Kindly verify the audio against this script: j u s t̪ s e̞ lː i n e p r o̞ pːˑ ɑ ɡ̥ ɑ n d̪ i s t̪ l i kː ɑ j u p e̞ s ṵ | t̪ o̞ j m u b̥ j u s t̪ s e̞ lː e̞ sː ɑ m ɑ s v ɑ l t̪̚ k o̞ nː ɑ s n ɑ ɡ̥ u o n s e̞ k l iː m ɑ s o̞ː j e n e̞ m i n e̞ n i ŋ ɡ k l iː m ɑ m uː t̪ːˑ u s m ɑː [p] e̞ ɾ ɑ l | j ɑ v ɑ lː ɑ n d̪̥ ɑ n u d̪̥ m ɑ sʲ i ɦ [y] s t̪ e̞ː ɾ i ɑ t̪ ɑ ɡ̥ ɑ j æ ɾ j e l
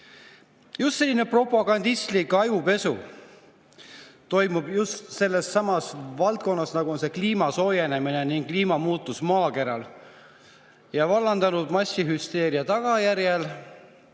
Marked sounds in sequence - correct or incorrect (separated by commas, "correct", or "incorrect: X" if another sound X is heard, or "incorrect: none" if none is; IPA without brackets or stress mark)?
incorrect: k, correct